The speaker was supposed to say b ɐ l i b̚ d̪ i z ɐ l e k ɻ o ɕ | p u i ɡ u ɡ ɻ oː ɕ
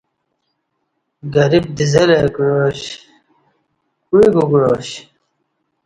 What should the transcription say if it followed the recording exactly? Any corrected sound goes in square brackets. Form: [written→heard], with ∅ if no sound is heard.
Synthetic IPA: [b→ɡ] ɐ [l→ɾ] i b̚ d̪ i z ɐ l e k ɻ o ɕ | [p→k] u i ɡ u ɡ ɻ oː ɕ